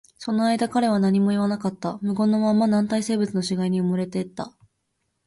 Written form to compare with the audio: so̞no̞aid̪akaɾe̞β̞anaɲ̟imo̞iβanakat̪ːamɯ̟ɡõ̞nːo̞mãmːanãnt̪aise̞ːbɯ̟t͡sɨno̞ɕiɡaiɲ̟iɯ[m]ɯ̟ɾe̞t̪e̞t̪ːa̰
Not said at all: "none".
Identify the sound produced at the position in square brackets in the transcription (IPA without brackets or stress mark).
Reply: m